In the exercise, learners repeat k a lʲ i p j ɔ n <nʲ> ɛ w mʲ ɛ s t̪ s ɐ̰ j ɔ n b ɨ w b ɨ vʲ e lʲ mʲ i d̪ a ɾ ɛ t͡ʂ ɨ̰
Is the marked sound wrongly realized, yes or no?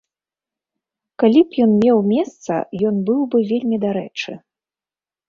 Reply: yes